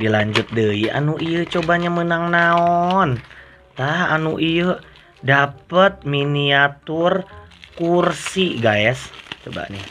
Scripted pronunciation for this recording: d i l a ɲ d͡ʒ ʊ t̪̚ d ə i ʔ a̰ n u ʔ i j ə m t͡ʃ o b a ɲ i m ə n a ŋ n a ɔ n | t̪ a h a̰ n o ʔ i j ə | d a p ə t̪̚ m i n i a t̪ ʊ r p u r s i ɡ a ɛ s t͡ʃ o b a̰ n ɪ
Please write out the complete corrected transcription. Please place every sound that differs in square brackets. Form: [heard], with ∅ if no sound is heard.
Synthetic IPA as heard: d i l a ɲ d͡ʒ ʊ t̪̚ d ə i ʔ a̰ n u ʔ i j ə [∅] t͡ʃ o b a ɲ [a] m ə n a ŋ n a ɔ n | t̪ a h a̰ n [u] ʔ i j ə | d a p ə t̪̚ m i n i a t̪ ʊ r [k] u r s i ɡ a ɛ s t͡ʃ o b a̰ n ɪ